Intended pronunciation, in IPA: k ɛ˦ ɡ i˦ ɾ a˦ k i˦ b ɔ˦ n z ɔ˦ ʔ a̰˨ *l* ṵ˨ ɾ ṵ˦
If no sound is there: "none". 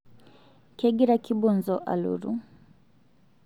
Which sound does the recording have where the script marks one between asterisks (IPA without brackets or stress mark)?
l